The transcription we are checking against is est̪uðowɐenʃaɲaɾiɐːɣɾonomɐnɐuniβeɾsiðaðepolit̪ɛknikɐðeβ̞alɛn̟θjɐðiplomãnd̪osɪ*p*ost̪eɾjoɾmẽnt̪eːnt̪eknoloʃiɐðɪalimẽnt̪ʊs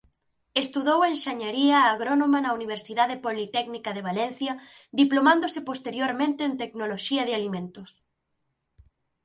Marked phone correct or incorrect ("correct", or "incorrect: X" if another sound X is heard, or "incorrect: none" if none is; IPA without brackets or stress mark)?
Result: correct